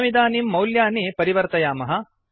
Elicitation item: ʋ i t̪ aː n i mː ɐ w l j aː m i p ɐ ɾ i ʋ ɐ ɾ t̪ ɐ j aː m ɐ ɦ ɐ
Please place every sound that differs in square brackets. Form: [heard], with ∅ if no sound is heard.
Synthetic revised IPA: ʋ i [d̪] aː n i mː ɐ w l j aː [n] i p ɐ ɾ i ʋ ɐ ɾ t̪ ɐ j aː m ɐ ɦ ɐ